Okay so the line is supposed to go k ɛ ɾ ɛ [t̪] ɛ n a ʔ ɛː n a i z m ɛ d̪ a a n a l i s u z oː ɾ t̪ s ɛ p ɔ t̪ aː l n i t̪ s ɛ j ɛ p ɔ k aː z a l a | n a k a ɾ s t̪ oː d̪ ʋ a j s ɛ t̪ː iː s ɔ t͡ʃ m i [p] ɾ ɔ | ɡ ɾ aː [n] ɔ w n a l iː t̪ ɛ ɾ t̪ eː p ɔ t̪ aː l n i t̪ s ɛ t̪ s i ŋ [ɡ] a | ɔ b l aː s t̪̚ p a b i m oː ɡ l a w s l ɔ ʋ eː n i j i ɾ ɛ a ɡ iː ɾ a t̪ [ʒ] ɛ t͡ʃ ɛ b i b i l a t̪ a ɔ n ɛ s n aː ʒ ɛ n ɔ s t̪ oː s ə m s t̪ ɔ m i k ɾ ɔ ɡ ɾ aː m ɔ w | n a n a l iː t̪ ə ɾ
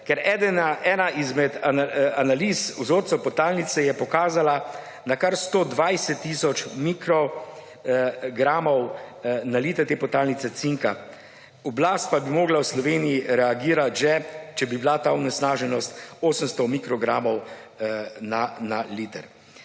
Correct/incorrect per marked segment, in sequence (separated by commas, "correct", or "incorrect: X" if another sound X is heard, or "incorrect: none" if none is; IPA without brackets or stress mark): incorrect: d̪, incorrect: k, incorrect: m, incorrect: k, correct